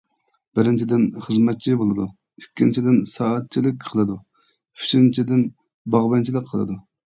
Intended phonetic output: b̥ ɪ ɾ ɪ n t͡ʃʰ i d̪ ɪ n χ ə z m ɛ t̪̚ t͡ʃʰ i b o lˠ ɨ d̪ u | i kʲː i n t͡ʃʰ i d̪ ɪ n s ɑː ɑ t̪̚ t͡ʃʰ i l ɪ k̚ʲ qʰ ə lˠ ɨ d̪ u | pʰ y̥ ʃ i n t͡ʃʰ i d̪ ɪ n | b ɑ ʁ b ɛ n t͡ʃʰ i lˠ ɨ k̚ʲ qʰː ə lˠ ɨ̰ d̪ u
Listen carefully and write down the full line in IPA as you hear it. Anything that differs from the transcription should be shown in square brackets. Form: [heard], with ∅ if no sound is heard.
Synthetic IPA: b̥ ɪ ɾ ɪ n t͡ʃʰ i d̪ ɪ n χ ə z m ɛ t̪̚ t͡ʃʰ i b o lˠ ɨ d̪ u | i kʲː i n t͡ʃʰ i d̪ ɪ n s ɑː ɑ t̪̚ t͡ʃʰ i l ɪ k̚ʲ qʰ ə lˠ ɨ d̪ u | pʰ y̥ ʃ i n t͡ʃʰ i d̪ ɪ n | b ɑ ʁ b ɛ n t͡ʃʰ i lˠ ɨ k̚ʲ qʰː ə lˠ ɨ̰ d̪ u